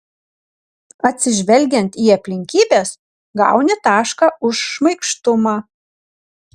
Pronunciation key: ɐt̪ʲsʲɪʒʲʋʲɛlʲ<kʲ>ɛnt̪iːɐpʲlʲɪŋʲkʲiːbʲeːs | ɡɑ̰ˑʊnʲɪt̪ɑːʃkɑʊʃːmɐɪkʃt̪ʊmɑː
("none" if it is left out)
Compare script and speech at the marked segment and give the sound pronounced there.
ɡʲ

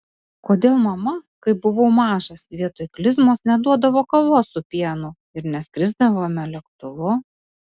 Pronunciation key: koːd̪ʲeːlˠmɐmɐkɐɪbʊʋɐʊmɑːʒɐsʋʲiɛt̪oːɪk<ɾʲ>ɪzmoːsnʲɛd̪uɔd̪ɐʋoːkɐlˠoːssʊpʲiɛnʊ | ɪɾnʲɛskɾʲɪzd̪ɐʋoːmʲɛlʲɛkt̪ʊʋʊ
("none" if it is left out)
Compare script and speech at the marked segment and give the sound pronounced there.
lʲ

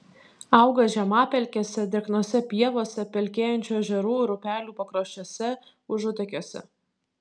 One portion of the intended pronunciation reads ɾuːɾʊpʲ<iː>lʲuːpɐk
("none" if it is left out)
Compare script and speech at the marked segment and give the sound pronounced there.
æː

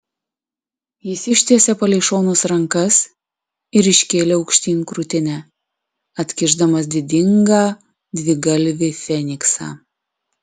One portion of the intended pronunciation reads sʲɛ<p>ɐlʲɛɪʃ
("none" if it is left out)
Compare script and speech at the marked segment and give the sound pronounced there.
p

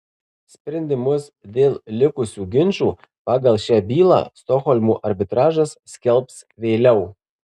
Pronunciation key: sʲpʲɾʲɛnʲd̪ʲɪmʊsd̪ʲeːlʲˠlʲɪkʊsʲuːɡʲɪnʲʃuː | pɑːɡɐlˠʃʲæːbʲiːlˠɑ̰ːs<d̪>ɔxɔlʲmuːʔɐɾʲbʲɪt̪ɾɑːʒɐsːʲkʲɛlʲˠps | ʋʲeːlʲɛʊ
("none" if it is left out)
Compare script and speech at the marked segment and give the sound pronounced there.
t̪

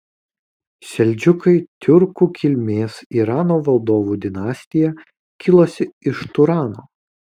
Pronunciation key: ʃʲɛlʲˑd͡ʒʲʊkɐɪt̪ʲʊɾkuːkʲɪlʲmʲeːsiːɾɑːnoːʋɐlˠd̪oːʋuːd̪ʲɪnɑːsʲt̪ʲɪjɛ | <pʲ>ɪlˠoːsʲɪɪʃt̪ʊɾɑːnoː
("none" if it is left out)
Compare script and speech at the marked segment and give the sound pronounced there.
kʲ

